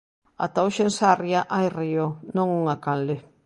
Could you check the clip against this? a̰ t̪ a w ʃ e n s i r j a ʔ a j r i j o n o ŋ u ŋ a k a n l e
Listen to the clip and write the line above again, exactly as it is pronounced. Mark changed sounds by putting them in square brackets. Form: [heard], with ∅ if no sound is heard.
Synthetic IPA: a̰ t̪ a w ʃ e n s [a] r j a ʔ a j r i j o n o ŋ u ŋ a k a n l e